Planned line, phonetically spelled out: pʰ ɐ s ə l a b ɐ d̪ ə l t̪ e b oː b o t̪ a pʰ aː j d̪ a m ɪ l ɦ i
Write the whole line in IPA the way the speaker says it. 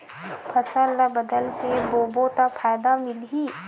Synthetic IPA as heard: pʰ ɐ s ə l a b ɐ d̪ ə l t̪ e b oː b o t̪ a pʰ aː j d̪ a m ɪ l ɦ i